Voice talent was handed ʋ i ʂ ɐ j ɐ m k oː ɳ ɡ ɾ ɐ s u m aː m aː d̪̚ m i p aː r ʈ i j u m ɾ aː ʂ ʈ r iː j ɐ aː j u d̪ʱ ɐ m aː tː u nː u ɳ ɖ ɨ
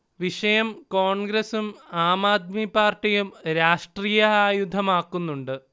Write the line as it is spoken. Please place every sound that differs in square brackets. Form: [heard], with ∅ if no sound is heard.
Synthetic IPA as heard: ʋ i ʂ ɐ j ɐ m k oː ɳ ɡ ɾ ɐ s u m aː m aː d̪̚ m i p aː r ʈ i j u m ɾ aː ʂ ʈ r iː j ɐ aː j u d̪ʱ ɐ m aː [kː] u nː u ɳ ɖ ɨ